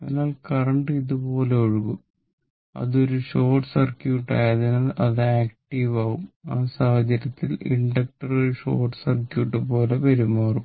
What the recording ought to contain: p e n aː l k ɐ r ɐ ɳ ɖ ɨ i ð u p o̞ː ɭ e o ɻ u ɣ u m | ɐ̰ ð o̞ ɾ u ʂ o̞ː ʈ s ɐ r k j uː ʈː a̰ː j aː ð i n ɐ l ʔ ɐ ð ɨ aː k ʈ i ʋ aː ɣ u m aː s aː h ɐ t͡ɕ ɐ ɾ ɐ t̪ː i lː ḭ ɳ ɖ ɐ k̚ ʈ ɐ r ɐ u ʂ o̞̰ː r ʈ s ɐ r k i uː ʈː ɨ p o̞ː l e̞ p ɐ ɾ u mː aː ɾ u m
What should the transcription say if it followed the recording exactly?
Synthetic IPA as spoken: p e n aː l k ɐ r ɐ ɳ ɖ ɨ i ð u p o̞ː l e o ɻ u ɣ u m | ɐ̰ ð o̞ ɾ u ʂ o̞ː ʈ s ɐ r k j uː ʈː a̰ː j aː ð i n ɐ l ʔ ɐ ð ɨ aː k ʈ i ʋ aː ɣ u m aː s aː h ɐ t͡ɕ ɐ ɾ ɐ t̪ː i l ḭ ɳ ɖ ɐ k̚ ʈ ɐ r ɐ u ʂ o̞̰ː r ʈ s ɐ r k j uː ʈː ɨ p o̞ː l e̞ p ɐ ɾ u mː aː r u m